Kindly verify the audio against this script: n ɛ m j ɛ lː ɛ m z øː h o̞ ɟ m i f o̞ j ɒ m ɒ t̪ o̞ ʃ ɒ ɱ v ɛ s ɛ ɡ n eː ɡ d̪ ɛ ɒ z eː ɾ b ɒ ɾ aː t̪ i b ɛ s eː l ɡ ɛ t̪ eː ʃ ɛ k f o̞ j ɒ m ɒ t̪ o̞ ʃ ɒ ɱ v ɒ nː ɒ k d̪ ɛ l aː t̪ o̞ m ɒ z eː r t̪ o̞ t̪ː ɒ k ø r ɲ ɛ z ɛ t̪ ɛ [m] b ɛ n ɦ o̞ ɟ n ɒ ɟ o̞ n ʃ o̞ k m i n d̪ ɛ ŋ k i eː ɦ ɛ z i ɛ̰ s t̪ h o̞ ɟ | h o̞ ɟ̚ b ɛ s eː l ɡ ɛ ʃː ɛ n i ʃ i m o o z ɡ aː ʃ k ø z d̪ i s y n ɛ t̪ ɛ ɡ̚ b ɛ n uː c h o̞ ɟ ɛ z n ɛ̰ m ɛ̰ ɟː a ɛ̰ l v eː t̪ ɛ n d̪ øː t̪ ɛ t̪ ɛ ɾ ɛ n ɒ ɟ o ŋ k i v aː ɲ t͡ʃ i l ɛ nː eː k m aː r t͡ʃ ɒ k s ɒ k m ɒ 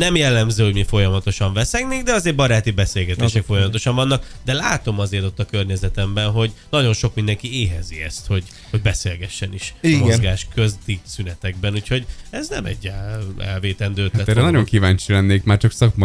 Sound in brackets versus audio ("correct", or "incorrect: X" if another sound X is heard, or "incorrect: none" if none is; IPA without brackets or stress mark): correct